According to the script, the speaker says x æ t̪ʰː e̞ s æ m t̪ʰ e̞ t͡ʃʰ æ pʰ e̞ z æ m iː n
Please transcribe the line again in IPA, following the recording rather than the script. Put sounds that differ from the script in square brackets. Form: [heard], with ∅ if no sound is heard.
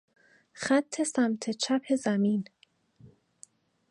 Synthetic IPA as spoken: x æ t̪ʰː e̞ s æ m t̪ʰ e̞ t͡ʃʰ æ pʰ e̞ z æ m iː n